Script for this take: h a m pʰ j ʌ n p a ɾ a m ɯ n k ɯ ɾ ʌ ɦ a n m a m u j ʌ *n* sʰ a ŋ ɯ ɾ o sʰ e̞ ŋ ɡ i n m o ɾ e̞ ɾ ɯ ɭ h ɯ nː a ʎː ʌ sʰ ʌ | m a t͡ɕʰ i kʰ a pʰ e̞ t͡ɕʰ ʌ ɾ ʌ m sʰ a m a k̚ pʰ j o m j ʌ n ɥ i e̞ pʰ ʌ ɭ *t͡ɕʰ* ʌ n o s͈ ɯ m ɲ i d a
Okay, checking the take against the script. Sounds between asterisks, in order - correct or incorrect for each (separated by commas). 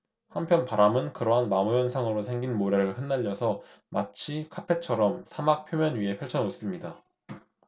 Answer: correct, correct